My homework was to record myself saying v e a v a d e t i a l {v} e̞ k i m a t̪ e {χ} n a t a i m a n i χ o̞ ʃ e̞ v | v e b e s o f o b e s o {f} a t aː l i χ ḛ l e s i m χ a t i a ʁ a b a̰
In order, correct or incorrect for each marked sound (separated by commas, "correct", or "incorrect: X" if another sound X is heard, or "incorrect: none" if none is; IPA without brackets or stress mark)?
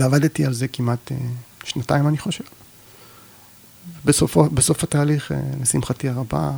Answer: incorrect: z, incorrect: ʃ, correct